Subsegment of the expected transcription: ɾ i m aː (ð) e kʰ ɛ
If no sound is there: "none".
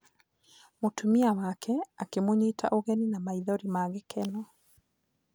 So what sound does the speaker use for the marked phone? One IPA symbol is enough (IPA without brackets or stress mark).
ɣ